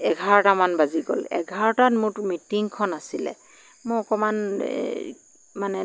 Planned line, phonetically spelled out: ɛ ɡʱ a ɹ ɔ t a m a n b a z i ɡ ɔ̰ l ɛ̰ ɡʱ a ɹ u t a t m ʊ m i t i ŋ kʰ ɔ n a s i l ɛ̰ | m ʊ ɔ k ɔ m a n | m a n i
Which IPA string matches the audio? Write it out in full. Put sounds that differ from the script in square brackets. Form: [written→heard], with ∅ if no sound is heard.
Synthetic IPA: ɛ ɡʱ a ɹ ɔ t a m a n b a z i ɡ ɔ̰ l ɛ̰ ɡʱ a ɹ [u→ɔ] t a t m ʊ m i t i ŋ kʰ ɔ n a s i l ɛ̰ | m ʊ ɔ k ɔ m a n | m a n [i→ɛ]